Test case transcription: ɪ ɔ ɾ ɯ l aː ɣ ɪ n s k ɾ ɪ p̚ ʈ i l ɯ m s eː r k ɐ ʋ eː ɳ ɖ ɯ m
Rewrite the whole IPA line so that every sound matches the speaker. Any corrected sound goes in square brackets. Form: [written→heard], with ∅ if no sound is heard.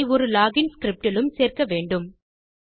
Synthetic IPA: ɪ ɔ ɾ ɯ l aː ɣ ɪ n s k ɾ ɪ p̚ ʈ [i→ɪ] l ɯ m s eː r k ɐ ʋ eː ɳ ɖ ɯ m